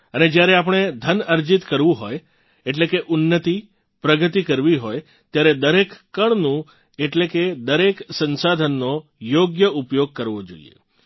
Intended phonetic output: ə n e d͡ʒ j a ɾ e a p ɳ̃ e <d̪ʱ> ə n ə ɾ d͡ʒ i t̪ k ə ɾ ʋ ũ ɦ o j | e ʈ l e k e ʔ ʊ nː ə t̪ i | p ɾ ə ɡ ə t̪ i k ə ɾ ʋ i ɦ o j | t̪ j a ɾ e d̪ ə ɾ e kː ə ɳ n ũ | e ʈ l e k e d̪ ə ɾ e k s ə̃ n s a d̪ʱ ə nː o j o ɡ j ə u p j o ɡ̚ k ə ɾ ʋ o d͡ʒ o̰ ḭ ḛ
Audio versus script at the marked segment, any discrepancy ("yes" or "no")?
no